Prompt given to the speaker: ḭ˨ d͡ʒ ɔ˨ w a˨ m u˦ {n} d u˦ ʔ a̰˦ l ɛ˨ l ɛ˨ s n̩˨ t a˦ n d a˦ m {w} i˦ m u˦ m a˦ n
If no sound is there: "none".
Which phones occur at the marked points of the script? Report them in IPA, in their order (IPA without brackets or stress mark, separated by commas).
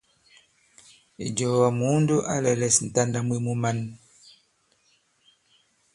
n, w